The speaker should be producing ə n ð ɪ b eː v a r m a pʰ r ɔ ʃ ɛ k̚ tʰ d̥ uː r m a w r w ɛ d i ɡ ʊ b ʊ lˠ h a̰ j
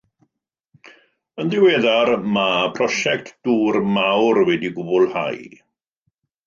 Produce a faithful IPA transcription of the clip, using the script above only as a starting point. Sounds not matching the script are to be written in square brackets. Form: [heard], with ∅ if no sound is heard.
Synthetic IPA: ə n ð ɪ [w] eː [ð] a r m a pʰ r ɔ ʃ ɛ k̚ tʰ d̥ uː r m a w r w ɛ d i ɡ ʊ b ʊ lˠ h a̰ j